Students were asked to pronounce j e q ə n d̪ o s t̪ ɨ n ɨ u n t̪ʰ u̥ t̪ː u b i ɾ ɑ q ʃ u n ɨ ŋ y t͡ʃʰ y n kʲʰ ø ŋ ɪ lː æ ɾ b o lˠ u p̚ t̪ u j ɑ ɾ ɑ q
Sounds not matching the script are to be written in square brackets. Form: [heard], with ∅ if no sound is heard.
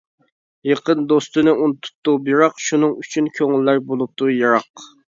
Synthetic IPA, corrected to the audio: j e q ə n d̪ o s t̪ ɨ n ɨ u n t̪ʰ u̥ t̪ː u b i ɾ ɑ q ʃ u n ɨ ŋ y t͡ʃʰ y n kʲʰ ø ŋ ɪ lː æ ɾ b o lˠ u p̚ t̪ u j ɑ ɾ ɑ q